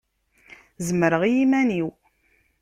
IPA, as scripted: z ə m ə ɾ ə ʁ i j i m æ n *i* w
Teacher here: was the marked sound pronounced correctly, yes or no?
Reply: yes